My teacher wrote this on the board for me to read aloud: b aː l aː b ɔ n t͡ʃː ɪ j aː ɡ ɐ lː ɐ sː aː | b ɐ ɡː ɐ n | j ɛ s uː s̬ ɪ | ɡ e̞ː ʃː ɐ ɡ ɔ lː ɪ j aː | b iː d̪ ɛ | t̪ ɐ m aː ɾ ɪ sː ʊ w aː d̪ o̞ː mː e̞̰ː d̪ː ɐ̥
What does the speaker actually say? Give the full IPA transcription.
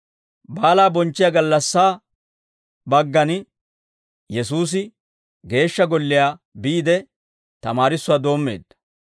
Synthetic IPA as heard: b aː l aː b ɔ n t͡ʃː ɪ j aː ɡ ɐ lː ɐ sː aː | b ɐ ɡː ɐ n | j ɛ s uː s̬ ɪ | ɡ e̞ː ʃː ɐ ɡ ɔ lː ɪ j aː | b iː d̪ ɛ | t̪ ɐ m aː ɾ ɪ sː ʊ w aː d̪ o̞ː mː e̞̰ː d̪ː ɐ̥